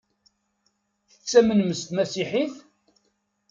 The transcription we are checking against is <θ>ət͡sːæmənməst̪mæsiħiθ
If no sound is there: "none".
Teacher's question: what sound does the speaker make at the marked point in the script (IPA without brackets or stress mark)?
θ